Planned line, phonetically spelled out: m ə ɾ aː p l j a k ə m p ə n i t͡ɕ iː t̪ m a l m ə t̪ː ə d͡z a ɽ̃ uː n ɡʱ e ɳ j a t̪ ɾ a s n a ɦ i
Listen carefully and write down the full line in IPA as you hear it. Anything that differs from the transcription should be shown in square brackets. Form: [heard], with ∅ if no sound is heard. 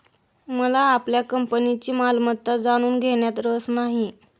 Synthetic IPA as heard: m ə [l] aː p l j a k ə m p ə n i t͡ɕ iː [∅] m a l m ə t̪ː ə d͡z a ɽ̃ uː n ɡʱ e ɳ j a t̪ ɾ [ə] s n a ɦ i